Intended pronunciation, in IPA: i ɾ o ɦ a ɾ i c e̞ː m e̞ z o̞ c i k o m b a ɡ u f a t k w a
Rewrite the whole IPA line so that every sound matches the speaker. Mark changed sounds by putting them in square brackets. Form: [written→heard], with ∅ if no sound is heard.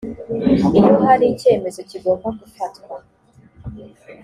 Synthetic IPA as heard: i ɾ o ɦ a ɾ i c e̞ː m e̞ z o̞ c i [k→ɡ] o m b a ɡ u f a t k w a

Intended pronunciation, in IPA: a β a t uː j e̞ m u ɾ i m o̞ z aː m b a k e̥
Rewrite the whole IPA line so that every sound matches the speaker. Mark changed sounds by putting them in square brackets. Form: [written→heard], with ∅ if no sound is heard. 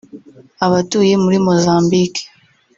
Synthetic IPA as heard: a β a t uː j e̞ m u ɾ i m o̞ z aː m b [a→i] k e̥

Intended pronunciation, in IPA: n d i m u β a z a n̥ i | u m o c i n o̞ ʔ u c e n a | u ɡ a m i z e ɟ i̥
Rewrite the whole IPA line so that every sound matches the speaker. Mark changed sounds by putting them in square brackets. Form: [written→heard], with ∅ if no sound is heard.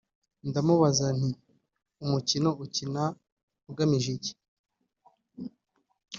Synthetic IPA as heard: n d [i→a] m u β a z a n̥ i | u m [o→u] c i n o̞ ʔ u c [e→i] n a | u ɡ a m i [z→ʒ] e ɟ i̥

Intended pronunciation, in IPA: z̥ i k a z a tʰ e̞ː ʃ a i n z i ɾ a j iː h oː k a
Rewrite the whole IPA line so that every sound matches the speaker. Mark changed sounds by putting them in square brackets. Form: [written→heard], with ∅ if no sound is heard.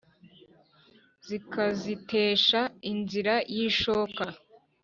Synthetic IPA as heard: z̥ i k a z [a→i] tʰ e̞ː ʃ a i n z i ɾ a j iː [h→ʃ] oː k a

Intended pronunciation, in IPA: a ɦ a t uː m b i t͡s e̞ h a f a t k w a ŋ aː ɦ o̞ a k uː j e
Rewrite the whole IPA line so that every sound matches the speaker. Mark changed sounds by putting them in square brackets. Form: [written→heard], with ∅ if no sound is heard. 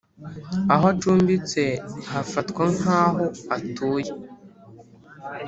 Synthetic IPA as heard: a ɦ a [t→t͡ʃ] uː m b i t͡s e̞ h a f a t k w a ŋ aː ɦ o̞ a [k→t] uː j e

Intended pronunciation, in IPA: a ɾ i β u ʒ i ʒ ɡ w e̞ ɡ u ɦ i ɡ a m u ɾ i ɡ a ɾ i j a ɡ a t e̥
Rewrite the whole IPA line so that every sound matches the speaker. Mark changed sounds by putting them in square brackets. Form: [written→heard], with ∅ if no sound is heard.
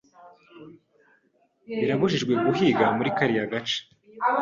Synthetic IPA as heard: [a→i] ɾ [i→a] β u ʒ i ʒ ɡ w e̞ ɡ u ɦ i ɡ a m u ɾ i [ɡ→k] a ɾ i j a ɡ a [t→t͡ʃ] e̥

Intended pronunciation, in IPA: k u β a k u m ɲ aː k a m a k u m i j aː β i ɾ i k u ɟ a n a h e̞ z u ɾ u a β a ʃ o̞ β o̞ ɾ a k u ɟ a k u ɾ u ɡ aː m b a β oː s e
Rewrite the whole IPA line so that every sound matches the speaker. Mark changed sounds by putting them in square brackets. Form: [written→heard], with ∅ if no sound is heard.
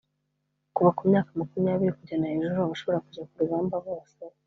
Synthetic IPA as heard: k u β a k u m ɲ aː k a m a k u m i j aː β i ɾ i k u ɟ a n a h e̞ [z→ʒ] u ɾ u a β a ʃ o̞ β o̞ ɾ a k u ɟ a k u ɾ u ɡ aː m b a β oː s e

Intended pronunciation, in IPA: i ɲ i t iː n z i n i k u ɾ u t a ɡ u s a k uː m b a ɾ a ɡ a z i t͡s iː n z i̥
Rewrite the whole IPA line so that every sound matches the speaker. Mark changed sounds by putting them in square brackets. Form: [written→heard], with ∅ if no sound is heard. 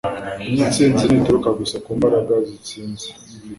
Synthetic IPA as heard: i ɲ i [t→t͡s] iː n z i n i [k→t] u ɾ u [t→k] a ɡ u s a k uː m b a ɾ a ɡ a z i t͡s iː n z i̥

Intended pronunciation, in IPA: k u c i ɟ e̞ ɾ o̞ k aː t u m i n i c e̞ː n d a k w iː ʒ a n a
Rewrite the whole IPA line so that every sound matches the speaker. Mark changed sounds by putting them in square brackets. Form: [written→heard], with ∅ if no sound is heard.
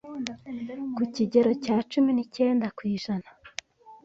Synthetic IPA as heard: k u c i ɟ e̞ ɾ o̞ [k→c] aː [t→t͡ʃ] u m i n i c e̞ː n d a k w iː ʒ a n a

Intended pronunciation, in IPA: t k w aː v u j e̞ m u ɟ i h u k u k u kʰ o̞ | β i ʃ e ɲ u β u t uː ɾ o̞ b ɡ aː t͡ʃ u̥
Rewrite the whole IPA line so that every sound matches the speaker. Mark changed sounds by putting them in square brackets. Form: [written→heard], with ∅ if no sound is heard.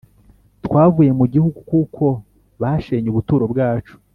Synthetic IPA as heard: t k w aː v u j e̞ m u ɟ i h u [k→ɡ] u k u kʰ o̞ | β [i→a] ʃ e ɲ u β u t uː ɾ o̞ b ɡ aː t͡ʃ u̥

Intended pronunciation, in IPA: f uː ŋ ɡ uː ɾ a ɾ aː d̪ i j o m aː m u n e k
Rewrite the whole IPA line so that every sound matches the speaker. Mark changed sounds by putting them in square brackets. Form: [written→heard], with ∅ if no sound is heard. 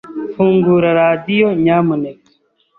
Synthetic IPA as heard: f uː ŋ ɡ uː ɾ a ɾ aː d̪ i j o [m→ɲ] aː m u n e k

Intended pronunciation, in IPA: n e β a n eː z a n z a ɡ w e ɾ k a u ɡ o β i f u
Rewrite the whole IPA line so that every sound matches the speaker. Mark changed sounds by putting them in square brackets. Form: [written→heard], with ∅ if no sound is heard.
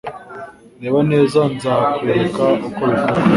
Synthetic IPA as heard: n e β a n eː z a n z a [ɡ→k] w e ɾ k a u [ɡ→k] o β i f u

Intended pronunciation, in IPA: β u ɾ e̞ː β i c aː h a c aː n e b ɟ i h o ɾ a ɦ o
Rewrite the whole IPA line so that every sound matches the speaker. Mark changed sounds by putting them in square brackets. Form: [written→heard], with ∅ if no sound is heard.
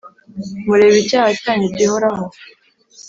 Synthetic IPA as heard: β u ɾ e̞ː β i c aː h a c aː [n→ɲ] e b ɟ i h o ɾ a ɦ o

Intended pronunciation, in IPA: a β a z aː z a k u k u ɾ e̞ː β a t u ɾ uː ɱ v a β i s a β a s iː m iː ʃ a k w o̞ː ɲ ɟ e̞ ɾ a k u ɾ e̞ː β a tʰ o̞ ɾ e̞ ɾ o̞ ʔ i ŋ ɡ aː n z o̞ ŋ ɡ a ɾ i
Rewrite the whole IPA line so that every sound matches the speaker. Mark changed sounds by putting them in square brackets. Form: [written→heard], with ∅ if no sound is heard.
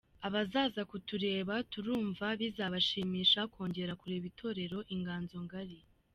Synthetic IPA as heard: a β a z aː z a k u [k→t] u ɾ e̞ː β a t u ɾ uː ɱ v a β i [s→z] a β a [s→ʃ] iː m iː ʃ a k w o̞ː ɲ ɟ e̞ ɾ a k u ɾ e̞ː β [a→i] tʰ o̞ ɾ e̞ ɾ o̞ ʔ i ŋ ɡ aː n z o̞ ŋ ɡ a ɾ i

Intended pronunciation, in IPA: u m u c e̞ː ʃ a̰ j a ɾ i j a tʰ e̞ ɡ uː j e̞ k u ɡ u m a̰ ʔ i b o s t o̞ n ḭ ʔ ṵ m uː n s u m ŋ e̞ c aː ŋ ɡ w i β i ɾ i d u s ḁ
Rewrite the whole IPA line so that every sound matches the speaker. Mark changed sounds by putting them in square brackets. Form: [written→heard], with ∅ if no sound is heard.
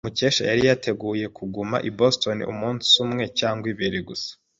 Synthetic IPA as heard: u m u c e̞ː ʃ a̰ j a ɾ i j a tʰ e̞ ɡ uː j e̞ k u ɡ u m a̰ ʔ i b o s t o̞ n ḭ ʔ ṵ m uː n s u m ŋ e̞ c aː ŋ ɡ w i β i ɾ i [d→ɡ] u s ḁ

